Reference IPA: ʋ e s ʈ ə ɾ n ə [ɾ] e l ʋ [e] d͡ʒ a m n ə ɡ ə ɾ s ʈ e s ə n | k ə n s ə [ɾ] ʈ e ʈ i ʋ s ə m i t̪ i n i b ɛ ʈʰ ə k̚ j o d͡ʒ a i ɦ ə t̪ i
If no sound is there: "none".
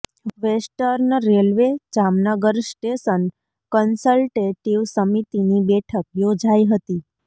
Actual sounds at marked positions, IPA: ɾ, e, l

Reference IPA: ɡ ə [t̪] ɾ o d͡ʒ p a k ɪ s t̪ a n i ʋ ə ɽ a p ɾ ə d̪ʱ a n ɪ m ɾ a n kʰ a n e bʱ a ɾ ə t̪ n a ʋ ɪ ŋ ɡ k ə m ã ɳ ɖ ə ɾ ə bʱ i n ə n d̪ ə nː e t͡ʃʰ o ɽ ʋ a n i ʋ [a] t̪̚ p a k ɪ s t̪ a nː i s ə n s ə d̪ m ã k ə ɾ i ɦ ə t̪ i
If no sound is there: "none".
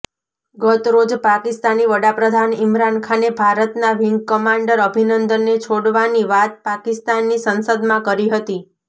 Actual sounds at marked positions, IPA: t̪, a

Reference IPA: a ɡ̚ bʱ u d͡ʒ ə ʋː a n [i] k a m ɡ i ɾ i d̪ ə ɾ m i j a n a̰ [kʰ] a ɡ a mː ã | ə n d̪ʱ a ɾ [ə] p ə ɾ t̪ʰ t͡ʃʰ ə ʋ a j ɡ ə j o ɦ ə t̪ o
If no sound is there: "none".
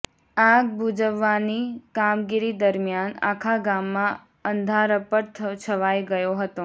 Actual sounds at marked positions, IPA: i, kʰ, ə

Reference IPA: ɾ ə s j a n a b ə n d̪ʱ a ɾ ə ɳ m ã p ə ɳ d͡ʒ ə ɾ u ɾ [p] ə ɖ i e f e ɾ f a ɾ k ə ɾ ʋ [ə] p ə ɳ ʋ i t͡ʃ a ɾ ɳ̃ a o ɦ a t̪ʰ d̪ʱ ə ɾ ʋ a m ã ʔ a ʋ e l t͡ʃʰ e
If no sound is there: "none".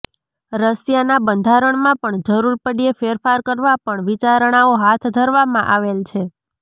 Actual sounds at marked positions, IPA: p, a

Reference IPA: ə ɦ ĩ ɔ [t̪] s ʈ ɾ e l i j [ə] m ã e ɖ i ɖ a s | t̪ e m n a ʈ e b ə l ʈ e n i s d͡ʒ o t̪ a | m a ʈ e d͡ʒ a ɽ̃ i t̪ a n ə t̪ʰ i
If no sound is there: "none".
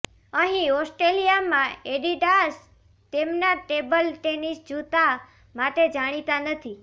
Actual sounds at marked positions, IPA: none, a

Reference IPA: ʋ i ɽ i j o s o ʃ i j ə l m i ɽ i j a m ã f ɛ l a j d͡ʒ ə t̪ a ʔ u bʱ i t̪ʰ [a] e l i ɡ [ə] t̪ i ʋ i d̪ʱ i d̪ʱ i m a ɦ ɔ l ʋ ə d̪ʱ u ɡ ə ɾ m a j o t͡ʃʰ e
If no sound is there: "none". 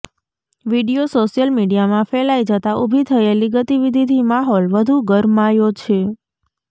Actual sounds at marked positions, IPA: ə, ə

